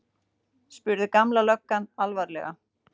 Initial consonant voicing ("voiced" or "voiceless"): voiceless